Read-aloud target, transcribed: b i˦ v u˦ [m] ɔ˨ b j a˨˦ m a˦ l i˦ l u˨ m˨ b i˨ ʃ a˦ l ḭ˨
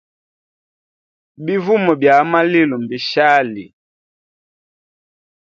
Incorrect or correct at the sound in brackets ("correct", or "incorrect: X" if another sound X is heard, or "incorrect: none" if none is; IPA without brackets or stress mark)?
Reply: correct